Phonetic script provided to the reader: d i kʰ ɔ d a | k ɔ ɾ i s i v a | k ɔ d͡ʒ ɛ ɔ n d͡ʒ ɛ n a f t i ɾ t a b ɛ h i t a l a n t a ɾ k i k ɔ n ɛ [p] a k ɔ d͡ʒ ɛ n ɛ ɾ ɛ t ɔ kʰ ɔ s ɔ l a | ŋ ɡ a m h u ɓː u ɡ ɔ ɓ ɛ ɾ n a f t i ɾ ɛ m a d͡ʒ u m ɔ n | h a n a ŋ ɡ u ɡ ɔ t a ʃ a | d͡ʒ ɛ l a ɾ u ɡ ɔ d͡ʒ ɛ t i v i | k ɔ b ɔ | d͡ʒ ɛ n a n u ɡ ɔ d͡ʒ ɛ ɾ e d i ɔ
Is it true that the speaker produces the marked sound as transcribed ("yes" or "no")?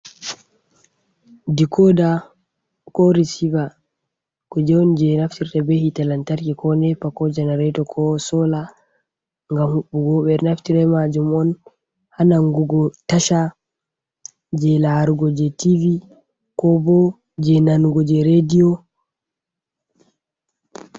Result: yes